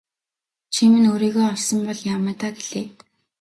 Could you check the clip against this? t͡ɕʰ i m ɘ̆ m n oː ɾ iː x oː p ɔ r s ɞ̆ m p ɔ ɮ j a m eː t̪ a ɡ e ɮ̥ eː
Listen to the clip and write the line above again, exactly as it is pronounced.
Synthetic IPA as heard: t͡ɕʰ i m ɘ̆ n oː ɾ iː ɣ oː ɔ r s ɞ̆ m p ɔ ɮ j a m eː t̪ a ɡ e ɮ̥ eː